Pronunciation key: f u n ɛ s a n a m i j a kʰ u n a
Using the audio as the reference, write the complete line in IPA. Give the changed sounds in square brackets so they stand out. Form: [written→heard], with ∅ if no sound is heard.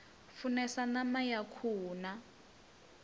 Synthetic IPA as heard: f u n ɛ s a n a m [i→a] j a kʰ [u→uː] n a